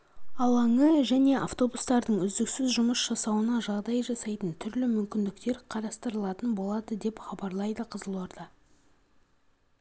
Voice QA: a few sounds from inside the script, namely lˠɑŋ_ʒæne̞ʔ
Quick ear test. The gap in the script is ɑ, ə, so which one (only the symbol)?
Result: ə